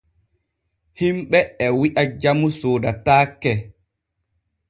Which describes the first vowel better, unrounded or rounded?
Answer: unrounded